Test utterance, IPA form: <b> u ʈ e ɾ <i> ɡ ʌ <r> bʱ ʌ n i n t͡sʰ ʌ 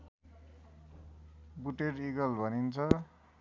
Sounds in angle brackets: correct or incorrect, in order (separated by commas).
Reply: correct, correct, incorrect